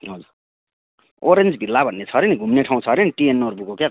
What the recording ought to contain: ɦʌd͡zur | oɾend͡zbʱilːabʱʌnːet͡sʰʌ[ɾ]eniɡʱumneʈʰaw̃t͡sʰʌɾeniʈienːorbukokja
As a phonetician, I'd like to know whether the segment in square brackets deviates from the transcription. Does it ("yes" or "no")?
no